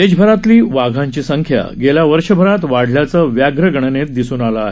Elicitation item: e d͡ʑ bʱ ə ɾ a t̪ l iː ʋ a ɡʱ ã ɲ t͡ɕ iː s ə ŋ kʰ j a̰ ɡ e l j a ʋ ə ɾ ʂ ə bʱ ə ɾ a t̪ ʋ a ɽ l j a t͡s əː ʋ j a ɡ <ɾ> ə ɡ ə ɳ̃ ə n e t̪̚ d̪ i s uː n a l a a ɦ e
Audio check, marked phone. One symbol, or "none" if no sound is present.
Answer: ɾ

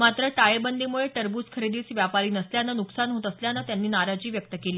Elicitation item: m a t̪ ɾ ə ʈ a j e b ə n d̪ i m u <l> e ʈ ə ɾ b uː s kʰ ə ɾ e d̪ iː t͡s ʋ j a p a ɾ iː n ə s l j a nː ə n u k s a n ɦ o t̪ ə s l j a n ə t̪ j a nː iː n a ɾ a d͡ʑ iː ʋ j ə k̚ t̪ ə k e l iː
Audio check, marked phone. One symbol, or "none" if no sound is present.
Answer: ɭ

